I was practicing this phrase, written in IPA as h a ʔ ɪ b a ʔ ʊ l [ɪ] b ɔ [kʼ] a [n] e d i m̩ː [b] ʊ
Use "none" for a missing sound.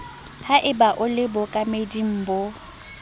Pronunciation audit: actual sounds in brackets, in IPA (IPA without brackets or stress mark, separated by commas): ɪ, kʼ, m, b